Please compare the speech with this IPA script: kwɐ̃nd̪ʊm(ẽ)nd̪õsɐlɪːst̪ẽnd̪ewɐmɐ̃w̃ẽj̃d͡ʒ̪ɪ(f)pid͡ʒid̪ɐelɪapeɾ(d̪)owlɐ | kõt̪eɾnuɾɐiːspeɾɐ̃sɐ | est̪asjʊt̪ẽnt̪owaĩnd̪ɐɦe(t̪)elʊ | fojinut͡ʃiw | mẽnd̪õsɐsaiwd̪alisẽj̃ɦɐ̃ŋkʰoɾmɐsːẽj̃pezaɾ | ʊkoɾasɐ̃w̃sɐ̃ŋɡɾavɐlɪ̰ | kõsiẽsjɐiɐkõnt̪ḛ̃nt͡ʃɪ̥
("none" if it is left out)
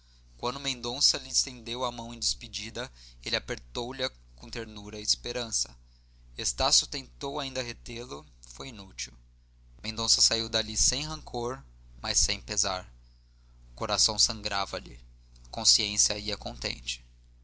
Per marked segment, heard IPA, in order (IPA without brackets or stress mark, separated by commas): ẽ, s, t̪, t̪